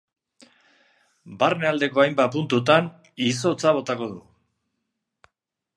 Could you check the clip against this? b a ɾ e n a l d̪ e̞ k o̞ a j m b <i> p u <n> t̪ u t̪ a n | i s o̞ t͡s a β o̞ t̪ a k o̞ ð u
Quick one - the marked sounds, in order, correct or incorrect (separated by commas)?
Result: incorrect, correct